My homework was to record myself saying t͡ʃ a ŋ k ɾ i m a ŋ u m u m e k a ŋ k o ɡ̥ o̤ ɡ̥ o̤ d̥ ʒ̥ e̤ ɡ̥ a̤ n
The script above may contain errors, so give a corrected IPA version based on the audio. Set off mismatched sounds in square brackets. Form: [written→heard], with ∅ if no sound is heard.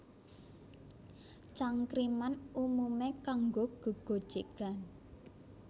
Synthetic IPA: t͡ʃ a ŋ k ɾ i m a [ŋ→n] u m u m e k a ŋ [k→ɡ] o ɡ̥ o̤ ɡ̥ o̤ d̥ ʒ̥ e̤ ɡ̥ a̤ n